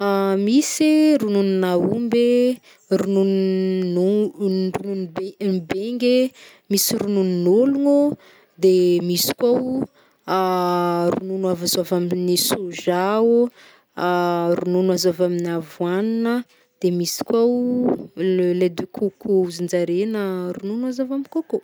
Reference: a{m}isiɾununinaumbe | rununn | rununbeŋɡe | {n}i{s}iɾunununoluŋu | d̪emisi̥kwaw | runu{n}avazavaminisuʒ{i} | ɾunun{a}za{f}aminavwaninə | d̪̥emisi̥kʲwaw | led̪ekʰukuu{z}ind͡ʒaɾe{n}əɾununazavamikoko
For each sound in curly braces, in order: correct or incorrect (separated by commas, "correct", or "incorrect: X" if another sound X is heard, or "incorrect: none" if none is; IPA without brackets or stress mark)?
correct, incorrect: m, correct, correct, incorrect: a, correct, incorrect: v, correct, correct